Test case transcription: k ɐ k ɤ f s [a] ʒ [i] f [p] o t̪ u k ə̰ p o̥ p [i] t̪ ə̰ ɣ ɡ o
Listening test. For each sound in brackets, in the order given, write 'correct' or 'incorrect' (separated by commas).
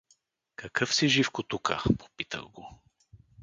incorrect, correct, incorrect, correct